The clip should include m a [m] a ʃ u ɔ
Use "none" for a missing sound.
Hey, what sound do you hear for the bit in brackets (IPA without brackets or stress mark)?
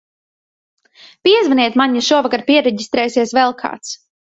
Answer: ɲ